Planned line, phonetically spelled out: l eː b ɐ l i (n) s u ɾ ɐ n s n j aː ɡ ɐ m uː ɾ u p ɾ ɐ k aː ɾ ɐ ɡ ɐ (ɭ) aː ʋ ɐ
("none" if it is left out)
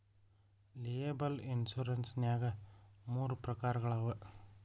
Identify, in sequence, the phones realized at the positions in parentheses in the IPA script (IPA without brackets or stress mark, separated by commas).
n, ɭ